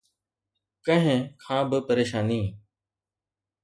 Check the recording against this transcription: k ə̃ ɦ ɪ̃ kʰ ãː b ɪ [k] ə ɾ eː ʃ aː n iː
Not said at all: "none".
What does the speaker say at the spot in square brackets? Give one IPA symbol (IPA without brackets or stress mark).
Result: p